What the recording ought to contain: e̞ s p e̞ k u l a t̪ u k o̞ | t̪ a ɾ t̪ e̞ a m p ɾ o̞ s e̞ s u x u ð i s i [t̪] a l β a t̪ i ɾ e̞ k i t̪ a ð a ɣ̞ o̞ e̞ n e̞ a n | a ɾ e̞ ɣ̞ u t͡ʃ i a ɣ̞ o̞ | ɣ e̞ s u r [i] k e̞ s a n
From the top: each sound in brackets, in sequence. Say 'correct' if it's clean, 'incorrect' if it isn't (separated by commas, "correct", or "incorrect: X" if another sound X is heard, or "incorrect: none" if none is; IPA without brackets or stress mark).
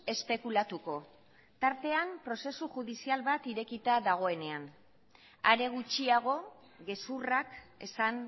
incorrect: none, incorrect: a